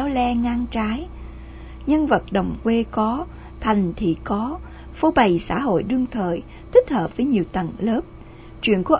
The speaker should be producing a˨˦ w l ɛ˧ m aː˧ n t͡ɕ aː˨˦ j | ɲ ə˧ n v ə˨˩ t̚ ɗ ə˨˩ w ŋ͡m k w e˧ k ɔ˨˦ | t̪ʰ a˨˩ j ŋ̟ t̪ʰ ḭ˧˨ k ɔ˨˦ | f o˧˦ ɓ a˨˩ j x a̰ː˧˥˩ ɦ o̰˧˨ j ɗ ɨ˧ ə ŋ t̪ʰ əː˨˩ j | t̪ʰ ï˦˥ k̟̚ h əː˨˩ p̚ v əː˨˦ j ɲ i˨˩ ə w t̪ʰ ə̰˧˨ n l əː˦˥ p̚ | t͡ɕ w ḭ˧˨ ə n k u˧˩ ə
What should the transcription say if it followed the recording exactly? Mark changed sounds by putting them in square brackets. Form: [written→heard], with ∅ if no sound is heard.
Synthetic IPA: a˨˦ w l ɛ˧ [m→ŋ] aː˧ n t͡ɕ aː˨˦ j | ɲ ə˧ n v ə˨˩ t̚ ɗ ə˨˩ w ŋ͡m k w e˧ k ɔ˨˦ | t̪ʰ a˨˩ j ŋ̟ t̪ʰ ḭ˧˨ k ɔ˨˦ | f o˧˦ ɓ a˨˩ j [x→s] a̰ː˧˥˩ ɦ o̰˧˨ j ɗ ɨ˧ ə ŋ t̪ʰ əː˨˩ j | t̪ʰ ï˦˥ k̟̚ h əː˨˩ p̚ v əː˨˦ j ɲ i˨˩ ə w [t̪ʰ→t̪] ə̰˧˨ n l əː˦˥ p̚ | t͡ɕ w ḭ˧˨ ə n k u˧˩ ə